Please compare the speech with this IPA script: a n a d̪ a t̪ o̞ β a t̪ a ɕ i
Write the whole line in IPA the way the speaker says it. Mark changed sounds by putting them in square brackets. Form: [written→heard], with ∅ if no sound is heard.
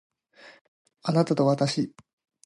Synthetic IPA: a n a [d̪→t̪] a t̪ o̞ β a t̪ a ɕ i